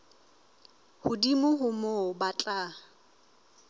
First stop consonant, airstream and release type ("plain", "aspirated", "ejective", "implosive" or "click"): plain